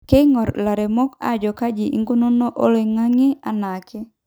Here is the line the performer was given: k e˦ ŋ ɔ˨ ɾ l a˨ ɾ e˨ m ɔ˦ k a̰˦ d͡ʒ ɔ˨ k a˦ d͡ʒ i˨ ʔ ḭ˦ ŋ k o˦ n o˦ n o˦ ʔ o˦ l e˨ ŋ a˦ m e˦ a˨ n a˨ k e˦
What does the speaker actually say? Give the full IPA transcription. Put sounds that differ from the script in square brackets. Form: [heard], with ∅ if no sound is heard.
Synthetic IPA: k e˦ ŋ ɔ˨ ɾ l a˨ ɾ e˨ m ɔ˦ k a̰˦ d͡ʒ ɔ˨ k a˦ d͡ʒ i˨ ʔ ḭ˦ ŋ [ɡ] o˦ n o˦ n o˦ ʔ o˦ l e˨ ŋ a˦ [ŋ] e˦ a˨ n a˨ k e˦